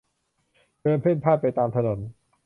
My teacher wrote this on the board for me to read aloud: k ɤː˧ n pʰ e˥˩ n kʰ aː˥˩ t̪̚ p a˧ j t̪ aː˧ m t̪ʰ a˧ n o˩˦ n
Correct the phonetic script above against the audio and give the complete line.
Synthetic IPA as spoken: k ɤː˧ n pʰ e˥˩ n pʰ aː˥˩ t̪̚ p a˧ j t̪ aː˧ m t̪ʰ a˧ n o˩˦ n